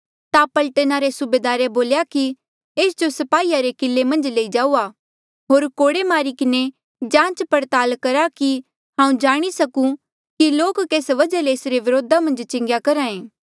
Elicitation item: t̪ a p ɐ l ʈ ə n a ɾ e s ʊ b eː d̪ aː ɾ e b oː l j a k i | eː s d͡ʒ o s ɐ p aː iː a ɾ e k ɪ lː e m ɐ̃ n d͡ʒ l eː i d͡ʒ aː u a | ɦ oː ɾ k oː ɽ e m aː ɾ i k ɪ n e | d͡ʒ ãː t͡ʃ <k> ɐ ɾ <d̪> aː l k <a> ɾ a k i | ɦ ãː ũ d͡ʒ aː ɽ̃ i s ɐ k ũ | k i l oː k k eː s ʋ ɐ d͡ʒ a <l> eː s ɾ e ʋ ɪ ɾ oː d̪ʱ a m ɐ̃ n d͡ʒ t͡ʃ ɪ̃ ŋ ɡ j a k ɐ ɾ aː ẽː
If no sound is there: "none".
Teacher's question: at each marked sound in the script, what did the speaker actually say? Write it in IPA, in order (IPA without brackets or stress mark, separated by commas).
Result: p, t̪, ɐ, l